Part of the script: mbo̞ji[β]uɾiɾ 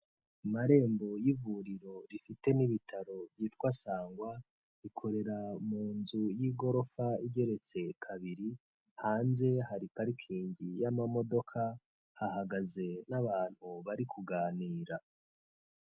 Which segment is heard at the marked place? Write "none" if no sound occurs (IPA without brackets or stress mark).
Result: v